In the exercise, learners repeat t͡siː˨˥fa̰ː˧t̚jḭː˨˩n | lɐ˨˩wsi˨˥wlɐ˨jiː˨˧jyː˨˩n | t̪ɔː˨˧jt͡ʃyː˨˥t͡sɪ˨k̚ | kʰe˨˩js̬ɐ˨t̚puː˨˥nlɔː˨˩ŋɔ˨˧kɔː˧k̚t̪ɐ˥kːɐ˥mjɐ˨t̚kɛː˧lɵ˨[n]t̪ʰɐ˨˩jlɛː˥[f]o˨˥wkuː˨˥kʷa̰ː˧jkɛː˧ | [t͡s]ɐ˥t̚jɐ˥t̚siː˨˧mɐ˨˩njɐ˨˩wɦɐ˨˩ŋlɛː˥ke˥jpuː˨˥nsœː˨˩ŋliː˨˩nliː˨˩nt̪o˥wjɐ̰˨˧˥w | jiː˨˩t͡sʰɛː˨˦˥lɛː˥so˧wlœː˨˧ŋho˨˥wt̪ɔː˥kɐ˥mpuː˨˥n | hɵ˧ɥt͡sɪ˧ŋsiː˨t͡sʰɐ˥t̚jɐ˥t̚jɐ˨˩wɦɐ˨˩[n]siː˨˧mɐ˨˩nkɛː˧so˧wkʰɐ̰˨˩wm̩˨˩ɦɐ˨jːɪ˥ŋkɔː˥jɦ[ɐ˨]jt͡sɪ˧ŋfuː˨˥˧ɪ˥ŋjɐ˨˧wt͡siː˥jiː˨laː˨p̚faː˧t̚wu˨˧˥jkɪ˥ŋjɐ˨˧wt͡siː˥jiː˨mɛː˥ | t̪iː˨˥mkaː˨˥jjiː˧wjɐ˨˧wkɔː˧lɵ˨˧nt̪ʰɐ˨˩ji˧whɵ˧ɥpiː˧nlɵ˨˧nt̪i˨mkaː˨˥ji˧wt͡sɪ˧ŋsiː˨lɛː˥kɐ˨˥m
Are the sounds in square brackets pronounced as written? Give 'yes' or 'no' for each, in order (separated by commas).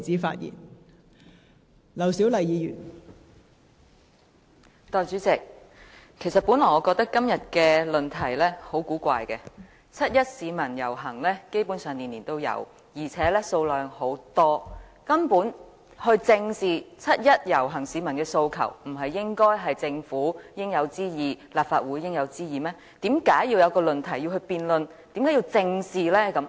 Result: yes, no, no, no, yes